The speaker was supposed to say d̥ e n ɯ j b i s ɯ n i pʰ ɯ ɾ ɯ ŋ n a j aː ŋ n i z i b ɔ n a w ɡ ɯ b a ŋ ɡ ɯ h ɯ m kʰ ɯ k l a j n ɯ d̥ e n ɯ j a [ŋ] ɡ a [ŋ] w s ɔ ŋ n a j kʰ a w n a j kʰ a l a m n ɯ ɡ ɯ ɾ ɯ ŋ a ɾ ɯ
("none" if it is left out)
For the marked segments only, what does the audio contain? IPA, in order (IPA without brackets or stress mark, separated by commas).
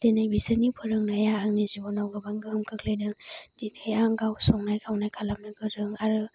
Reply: ŋ, none